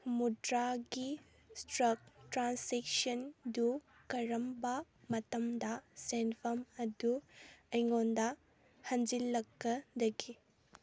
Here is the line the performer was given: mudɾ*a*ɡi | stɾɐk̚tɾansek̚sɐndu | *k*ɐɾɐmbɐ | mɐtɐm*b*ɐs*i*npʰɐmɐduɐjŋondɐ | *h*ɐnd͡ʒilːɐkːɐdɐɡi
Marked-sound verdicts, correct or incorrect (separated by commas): correct, correct, incorrect, incorrect, correct